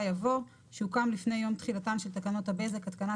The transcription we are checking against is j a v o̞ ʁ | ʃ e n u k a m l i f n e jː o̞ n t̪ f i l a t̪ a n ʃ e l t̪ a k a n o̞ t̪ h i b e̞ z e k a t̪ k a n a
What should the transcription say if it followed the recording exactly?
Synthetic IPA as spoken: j a v o̞ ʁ | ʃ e u k a m l i f n e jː o̞ m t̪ χ i l a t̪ a n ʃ e l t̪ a k a n o̞ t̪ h a b e̞ z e k a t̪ k a n a